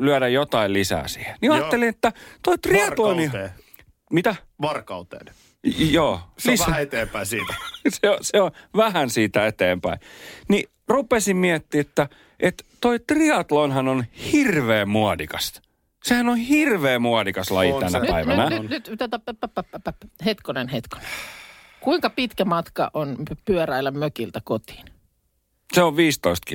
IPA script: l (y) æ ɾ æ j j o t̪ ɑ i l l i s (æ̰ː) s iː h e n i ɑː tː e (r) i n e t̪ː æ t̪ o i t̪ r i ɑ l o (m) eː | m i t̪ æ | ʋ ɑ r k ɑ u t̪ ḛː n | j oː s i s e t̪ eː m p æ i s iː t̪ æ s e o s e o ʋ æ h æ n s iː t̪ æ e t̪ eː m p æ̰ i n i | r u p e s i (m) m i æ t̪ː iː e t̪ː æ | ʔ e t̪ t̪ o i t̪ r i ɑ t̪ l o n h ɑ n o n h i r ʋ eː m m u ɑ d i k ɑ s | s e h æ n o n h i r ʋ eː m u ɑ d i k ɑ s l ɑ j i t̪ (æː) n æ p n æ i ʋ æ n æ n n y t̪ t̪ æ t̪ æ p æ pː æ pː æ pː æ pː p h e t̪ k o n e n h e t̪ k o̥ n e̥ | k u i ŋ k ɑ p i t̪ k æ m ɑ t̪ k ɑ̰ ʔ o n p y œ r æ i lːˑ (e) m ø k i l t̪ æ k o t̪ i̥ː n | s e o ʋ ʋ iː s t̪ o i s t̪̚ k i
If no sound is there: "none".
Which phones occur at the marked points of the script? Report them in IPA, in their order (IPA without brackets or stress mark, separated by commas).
y, æ̰ː, l, n, m, æ, æ